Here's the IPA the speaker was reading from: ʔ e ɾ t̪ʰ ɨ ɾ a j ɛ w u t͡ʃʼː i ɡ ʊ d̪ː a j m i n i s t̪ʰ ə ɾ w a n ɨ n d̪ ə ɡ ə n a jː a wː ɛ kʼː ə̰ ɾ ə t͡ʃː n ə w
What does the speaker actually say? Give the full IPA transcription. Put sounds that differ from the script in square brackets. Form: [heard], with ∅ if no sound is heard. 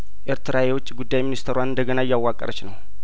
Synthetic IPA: ʔ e ɾ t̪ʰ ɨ ɾ a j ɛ w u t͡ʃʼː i ɡ [u] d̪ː a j m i n i s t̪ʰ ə ɾ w a n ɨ n d̪ ə ɡ ə n a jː a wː [a] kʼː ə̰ ɾ ə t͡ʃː n ə w